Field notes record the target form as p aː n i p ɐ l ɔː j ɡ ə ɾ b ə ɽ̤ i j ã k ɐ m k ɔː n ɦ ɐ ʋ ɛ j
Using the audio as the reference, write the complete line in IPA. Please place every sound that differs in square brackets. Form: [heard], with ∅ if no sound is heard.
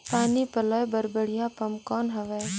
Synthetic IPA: p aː n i p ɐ l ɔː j [b] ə ɾ b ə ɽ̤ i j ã [p] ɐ m k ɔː n ɦ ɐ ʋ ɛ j